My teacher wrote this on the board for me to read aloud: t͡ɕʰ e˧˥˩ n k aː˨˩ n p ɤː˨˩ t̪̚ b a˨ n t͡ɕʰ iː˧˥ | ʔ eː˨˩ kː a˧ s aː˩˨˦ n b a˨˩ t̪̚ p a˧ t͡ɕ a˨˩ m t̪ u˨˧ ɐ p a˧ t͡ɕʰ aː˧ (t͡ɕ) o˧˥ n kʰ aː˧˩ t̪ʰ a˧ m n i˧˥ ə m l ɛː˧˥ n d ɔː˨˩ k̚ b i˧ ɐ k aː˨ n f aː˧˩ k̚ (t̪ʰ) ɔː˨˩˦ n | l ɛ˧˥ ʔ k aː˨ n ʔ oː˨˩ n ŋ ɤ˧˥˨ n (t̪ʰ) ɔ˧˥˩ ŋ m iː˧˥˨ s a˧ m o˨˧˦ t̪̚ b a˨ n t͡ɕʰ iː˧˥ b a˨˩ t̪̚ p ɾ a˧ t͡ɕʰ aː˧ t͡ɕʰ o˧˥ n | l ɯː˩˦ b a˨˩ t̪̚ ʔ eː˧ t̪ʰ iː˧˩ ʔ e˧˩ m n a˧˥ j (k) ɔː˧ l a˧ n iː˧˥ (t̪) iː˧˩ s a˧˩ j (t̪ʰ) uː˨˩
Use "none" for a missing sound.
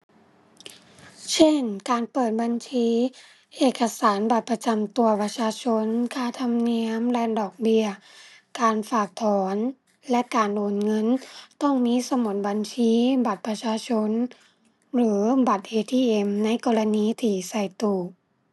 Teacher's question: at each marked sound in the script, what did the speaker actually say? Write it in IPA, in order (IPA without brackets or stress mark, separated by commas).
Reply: t͡ɕʰ, t̪ʰ, t̪, k, t̪ʰ, t̪